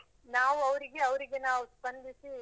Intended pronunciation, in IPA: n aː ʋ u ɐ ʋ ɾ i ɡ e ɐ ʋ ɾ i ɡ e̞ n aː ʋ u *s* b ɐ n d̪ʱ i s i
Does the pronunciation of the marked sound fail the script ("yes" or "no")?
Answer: no